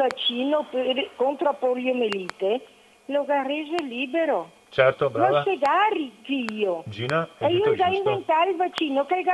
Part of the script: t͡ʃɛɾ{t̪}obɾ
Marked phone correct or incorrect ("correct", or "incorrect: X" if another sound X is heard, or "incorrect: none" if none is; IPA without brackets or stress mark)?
correct